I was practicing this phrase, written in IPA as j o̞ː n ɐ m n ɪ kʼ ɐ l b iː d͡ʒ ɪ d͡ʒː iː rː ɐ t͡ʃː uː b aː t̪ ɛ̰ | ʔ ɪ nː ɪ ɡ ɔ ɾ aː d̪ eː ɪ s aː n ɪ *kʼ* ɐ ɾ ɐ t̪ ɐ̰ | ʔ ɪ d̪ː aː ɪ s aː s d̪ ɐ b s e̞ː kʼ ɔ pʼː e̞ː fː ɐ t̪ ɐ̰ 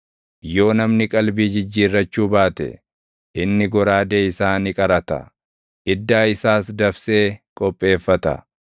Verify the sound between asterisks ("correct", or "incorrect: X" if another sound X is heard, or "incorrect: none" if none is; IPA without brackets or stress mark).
correct